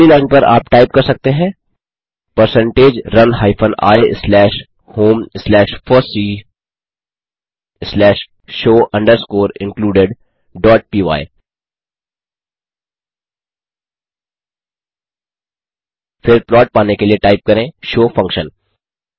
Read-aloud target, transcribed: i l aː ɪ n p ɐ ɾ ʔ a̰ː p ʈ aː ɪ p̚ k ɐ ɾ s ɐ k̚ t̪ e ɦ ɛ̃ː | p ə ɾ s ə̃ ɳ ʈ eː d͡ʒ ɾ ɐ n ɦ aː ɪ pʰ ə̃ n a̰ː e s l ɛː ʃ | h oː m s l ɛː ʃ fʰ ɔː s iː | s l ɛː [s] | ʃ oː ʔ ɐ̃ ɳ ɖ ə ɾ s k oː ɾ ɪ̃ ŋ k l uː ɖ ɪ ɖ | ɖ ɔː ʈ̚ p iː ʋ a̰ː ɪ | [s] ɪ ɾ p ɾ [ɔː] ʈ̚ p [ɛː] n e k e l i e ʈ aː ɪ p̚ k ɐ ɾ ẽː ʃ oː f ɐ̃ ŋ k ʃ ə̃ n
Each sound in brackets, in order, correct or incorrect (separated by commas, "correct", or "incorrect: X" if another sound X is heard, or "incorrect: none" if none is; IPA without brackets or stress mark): incorrect: ʃ, incorrect: f, correct, incorrect: aː